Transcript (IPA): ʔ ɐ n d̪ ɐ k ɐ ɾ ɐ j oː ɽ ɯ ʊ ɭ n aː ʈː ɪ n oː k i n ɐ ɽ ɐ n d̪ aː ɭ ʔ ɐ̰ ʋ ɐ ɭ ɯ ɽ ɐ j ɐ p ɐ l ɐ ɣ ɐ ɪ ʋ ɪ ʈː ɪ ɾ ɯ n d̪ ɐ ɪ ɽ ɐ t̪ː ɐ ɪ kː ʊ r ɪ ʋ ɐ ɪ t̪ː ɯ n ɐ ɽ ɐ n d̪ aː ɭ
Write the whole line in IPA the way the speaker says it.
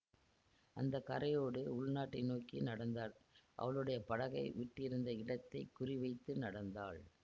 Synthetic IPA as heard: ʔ ɐ n d̪ ɐ k ɐ ɾ ɐ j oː ɽ ɯ ʊ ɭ n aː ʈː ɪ n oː k i n ɐ ɽ ɐ n d̪ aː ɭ ʔ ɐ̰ ʋ ɐ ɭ ɯ ɽ ɐ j ɐ p ɐ ɽ ɐ ɣ ɐ ɪ ʋ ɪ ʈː ɪ ɾ ɯ n d̪ ɐ ɪ ɽ ɐ t̪ː ɐ ɪ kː ʊ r ɪ ʋ ɐ ɪ t̪ː ɯ n ɐ ɽ ɐ n d̪ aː ɭ